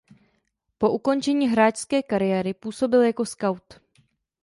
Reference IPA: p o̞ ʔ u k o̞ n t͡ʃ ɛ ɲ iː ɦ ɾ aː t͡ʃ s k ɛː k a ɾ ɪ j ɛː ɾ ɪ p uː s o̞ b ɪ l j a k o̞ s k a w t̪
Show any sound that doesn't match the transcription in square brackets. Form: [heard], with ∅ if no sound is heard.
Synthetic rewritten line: p o̞ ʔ u k o̞ n t͡ʃ ɛ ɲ iː ɦ ɾ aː t͡ʃ s k ɛː k a ɾ ɪ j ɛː ɾ ɪ p uː s o̞ b ɪ l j a k o̞ s k a w t̪